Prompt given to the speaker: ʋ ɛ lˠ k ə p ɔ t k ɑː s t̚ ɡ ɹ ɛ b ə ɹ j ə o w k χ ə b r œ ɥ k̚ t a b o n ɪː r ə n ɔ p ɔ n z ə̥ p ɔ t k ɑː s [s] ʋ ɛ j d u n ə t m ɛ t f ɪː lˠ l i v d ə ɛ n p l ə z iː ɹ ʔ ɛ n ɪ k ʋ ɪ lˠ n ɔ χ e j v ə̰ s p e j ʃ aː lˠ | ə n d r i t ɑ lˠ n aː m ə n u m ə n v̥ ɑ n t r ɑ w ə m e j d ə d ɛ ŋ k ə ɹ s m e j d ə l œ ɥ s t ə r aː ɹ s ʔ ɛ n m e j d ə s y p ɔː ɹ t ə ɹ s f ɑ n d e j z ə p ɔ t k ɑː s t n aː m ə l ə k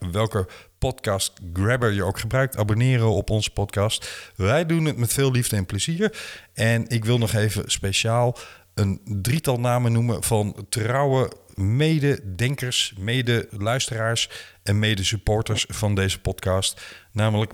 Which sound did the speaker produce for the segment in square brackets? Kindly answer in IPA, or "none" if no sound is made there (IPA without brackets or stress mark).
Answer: t